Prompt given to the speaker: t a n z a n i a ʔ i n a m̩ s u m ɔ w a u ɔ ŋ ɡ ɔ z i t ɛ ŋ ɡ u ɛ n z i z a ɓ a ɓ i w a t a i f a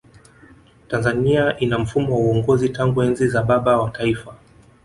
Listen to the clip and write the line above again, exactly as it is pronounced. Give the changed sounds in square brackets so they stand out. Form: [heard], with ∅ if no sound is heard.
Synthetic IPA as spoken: t a n z a n i a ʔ i n a m̩ [f] u m ɔ w a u ɔ ŋ ɡ ɔ z i t [a] ŋ ɡ u ɛ n z i z a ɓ a ɓ [a] w a t a i f a

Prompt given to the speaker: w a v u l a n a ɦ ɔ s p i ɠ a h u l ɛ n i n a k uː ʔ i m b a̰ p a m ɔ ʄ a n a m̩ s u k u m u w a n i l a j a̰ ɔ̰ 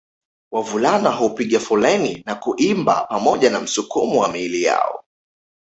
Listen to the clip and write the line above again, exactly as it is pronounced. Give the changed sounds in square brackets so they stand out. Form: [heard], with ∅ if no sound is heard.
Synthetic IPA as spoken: w a v u l a n a ɦ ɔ [∅] p i ɠ a [f] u l ɛ n i n a k [u] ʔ i m b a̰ p a m ɔ ʄ a n a m̩ s u k u m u w a [m] i l [i] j a̰ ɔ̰

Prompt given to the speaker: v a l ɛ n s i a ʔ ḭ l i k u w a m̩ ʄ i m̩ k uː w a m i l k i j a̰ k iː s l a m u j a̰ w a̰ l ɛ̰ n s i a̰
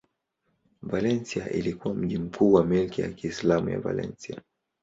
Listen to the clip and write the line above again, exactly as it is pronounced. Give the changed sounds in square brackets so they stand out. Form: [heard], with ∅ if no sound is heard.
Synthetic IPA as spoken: v a l ɛ n s i a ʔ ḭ l i k u w a m̩ ʄ i m̩ k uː w a m i l k i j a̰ k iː s l a m u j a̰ [v] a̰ l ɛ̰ n s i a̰

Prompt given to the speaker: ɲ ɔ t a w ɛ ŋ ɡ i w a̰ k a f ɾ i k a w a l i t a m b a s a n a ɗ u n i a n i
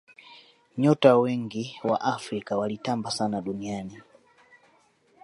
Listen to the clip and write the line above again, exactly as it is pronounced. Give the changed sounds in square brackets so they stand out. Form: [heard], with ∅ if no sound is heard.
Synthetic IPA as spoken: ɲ ɔ t a w ɛ ŋ ɡ i w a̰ [ʔ] a f ɾ i k a w a l i t a m b a s a n a ɗ u n i a n i

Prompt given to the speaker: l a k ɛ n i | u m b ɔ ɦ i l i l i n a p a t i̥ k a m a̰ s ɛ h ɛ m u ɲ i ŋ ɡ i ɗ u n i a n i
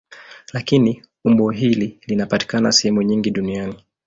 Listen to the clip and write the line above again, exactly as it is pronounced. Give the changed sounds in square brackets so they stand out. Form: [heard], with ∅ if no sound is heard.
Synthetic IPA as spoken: l a k [i] n i | u m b ɔ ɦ i l i l i n a p a t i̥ k a [n] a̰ s ɛ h ɛ m u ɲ i ŋ ɡ i ɗ u n i a n i

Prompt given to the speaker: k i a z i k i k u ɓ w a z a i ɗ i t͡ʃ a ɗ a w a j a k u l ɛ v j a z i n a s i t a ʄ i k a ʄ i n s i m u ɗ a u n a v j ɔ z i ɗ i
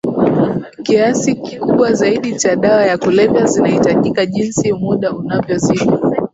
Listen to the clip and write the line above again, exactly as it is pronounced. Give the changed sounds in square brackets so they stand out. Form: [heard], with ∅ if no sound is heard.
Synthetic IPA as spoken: k i a [s] i k i k u ɓ w a z a i ɗ i t͡ʃ a ɗ a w a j a k u l ɛ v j a z i n a [h] i t a ʄ i k a ʄ i n s i m u ɗ a u n a v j ɔ z i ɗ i

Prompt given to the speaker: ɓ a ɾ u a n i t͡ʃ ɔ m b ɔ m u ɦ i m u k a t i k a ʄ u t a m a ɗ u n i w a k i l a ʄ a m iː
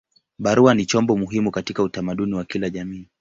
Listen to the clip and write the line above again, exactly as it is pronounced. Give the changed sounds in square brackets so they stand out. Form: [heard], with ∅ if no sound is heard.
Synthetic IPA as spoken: ɓ a ɾ u a n i t͡ʃ ɔ m b ɔ m u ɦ i m u k a t i k a [∅] u t a m a ɗ u n i w a k i l a ʄ a m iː

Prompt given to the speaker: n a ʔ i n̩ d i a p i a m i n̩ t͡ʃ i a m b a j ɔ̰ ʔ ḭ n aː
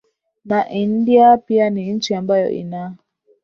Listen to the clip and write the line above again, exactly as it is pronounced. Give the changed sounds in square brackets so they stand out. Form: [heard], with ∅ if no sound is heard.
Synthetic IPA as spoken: n a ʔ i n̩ d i a p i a [n] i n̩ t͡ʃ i a m b a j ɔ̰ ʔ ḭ n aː

